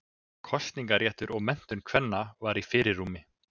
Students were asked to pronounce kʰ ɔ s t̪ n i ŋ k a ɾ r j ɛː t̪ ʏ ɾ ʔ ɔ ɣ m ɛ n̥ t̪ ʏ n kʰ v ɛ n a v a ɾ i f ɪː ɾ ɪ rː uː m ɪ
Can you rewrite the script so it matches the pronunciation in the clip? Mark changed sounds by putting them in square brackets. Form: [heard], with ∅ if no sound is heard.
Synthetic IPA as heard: kʰ ɔ s t̪ n i ŋ k a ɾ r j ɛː t̪ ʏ ɾ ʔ ɔ ɣ m ɛ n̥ t̪ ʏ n kʰ v ɛ [nː] a v a ɾ i f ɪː ɾ ɪ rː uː m ɪ